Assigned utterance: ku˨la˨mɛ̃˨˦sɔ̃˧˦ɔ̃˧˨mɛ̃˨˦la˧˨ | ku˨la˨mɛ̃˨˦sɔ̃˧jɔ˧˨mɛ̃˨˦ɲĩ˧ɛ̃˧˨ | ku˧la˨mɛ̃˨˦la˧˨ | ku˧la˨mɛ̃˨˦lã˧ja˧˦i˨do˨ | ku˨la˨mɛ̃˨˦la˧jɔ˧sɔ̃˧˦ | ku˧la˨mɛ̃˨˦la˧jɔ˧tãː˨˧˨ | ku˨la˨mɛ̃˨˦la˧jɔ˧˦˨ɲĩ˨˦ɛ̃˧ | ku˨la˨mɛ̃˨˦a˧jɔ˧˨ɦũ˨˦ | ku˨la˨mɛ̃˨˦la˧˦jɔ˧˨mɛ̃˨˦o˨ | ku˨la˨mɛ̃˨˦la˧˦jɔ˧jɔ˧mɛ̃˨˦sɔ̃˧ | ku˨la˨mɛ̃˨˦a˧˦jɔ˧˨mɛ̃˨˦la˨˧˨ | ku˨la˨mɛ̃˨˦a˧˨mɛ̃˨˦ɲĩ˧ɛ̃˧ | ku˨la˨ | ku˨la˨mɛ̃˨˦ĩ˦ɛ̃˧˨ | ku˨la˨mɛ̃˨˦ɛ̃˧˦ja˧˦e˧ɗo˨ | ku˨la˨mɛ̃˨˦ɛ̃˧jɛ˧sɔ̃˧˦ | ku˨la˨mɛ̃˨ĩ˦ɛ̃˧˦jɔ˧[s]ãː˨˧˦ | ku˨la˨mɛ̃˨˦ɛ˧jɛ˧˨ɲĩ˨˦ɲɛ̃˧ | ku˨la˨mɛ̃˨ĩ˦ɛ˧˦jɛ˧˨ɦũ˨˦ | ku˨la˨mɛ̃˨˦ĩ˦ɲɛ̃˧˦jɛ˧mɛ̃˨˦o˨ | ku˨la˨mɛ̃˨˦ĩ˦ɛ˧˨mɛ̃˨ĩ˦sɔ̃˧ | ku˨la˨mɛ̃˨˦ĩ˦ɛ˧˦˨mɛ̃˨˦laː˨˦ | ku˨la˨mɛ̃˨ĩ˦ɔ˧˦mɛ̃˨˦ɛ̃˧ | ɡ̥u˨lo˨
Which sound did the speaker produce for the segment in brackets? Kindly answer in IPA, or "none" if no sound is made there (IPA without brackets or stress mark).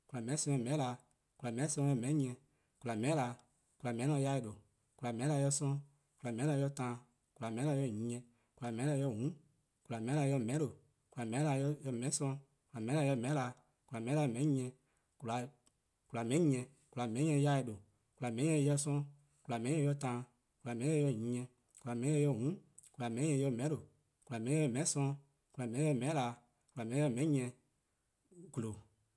t